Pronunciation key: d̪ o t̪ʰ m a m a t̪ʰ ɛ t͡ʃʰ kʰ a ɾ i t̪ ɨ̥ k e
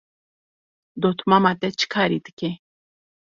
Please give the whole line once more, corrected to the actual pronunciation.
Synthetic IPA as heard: d̪ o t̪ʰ m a m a t̪ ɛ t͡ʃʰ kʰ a ɾ i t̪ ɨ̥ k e